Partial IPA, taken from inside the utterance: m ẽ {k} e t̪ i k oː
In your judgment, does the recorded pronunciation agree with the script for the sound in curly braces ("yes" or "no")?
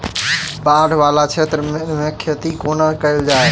no